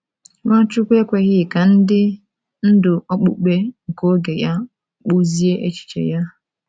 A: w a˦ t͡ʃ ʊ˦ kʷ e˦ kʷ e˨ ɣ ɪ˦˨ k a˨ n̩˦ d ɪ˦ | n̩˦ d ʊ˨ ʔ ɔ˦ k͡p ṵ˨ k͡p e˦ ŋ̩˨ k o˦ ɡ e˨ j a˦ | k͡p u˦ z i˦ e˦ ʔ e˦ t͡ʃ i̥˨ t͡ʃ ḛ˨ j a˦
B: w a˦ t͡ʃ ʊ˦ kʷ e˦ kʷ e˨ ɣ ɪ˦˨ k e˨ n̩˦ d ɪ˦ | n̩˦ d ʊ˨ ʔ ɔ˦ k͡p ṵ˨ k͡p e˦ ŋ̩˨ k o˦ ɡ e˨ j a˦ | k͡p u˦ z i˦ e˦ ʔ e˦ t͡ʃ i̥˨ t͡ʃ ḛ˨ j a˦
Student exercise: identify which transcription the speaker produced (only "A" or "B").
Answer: A